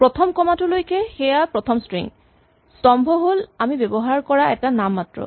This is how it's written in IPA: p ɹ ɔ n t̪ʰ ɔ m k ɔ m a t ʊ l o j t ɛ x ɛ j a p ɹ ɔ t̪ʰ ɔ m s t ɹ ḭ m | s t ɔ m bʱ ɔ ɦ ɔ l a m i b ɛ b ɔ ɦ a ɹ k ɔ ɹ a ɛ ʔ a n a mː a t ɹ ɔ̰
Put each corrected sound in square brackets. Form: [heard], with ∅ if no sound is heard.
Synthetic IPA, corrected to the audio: p ɹ ɔ [∅] t̪ʰ ɔ m k ɔ m a t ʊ l o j [k] ɛ x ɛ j a p ɹ ɔ t̪ʰ ɔ m s t ɹ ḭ [ŋ] | s t ɔ m bʱ ɔ ɦ [o] l a m i b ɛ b ɔ ɦ a ɹ k ɔ ɹ a ɛ [t] a n a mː a t ɹ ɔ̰